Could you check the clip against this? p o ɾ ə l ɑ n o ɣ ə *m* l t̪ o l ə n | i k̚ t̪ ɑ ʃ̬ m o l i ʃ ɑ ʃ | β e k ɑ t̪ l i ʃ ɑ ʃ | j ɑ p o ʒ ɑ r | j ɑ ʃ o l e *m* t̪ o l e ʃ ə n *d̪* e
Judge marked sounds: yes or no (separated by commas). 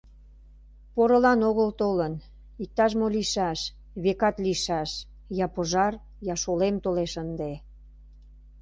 no, yes, yes